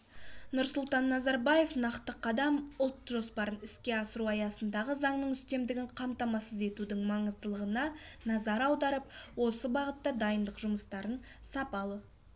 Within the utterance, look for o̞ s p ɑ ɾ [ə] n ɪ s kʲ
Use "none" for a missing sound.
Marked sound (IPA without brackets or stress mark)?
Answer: ə